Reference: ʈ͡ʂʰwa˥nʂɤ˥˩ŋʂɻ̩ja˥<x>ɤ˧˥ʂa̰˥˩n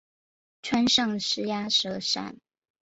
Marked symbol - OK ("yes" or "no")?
no